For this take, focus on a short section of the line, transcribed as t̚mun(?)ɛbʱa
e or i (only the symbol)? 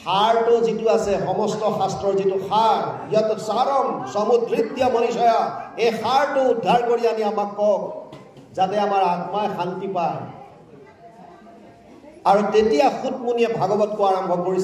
i